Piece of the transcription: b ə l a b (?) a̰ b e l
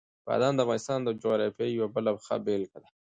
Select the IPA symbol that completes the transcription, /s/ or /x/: x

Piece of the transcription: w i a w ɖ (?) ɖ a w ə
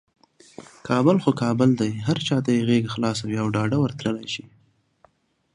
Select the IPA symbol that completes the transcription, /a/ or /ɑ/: ɑ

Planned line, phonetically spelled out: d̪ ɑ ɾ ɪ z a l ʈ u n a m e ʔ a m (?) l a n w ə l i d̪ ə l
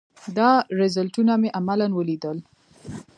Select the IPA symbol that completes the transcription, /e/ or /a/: a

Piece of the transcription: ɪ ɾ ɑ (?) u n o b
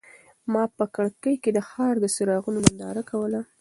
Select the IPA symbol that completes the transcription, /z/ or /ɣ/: ɣ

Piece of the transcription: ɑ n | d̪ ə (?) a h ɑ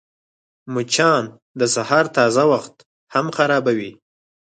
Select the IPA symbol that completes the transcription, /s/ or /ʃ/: s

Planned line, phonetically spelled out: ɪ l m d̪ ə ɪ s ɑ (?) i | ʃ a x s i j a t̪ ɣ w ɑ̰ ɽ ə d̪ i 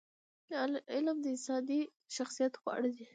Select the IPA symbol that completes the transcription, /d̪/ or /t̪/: d̪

